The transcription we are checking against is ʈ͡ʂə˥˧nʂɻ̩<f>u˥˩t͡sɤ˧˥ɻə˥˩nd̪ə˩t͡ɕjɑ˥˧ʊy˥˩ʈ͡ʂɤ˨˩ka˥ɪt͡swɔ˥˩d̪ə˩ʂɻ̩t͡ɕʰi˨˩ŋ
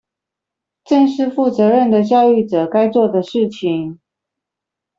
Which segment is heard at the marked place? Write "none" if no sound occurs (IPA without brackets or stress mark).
f